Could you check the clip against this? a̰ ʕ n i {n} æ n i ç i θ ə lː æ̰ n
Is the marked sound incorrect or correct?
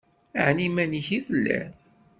incorrect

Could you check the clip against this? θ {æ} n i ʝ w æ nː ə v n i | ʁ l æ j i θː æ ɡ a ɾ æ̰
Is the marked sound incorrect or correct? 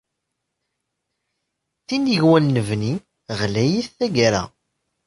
incorrect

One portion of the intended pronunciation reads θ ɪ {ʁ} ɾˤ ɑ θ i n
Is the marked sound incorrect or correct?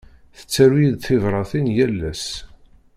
incorrect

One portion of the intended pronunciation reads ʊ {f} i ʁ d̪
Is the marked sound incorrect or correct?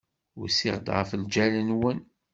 incorrect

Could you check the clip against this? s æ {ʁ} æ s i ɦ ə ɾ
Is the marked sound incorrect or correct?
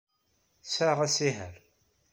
correct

